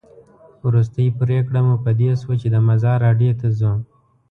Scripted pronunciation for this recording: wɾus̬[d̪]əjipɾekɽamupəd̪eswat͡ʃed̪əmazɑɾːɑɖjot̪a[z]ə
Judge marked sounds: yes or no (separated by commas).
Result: no, yes